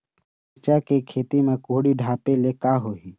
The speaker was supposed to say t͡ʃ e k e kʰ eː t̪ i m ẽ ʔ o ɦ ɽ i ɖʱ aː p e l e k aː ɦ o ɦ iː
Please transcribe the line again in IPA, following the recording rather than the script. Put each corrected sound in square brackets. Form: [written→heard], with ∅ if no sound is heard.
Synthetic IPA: t͡ʃ [e→a] k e kʰ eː t̪ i m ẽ [ʔ→k] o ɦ ɽ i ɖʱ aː p e l e k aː ɦ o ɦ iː